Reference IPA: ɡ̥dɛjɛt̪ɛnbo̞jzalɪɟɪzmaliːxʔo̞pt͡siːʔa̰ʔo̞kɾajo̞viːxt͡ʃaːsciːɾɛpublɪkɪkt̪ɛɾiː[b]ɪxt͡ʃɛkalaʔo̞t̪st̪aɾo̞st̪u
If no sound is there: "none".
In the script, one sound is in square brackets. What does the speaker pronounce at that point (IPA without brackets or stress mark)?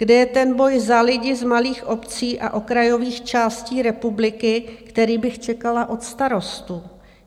b